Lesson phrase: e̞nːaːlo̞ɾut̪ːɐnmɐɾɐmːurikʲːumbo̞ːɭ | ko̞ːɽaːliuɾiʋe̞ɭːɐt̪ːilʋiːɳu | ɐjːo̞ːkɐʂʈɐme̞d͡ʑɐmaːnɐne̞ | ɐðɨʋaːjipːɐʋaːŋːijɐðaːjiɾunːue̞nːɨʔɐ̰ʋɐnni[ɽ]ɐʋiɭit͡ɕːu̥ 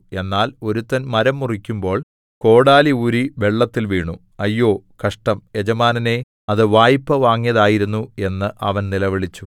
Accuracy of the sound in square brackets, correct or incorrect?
incorrect